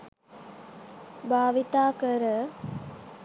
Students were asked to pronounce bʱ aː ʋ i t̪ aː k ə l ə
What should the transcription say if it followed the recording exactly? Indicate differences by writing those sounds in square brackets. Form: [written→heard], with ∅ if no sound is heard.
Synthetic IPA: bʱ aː ʋ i t̪ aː k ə [l→ɾ] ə